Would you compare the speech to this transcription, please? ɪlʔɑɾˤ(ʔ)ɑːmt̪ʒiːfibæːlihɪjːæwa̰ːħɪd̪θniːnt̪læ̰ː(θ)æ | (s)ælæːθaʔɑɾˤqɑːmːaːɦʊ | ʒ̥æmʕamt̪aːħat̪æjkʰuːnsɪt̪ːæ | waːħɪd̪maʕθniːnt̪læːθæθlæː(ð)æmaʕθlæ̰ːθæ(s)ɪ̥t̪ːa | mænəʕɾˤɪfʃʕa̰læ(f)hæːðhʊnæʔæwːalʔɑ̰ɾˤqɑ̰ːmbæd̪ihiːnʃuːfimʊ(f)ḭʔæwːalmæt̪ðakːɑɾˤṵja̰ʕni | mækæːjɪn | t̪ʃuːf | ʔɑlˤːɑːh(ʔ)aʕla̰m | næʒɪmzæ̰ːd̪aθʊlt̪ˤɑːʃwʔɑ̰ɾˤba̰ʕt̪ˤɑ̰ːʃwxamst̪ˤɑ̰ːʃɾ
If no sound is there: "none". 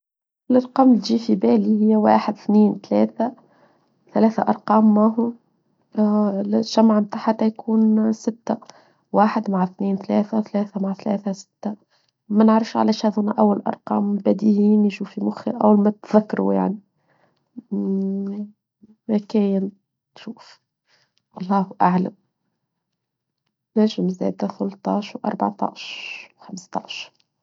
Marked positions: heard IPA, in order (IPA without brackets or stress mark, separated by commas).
q, θ, θ, θ, s, ʃ, x, ʔ